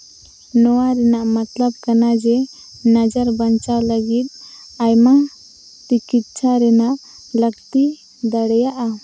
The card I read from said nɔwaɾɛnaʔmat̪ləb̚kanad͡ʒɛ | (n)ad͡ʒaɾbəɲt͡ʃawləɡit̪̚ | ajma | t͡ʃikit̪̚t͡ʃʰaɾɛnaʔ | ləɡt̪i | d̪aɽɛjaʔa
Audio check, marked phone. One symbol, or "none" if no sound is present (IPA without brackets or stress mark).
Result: n